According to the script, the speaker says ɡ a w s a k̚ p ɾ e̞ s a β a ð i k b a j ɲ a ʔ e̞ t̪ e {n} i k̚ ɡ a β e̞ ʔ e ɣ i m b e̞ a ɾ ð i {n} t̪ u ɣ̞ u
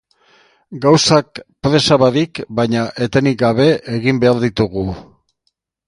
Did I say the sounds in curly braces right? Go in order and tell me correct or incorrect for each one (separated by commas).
correct, incorrect